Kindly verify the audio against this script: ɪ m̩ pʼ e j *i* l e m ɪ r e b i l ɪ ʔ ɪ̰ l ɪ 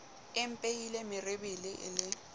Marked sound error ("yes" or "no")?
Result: no